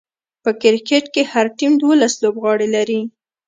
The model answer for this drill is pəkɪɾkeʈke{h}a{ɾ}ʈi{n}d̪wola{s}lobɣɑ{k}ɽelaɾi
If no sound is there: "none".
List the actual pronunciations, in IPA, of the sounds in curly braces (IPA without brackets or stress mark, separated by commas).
h, ɾ, m, s, none